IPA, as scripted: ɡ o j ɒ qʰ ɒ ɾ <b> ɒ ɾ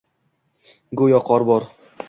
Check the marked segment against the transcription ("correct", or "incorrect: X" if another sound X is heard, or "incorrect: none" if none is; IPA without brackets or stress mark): correct